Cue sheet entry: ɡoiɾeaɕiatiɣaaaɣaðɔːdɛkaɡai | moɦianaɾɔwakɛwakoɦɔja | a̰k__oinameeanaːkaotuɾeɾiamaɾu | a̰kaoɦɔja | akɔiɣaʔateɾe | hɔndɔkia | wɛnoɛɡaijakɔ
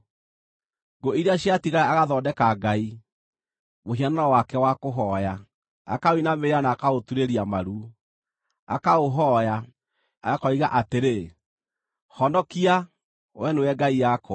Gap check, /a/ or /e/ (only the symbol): a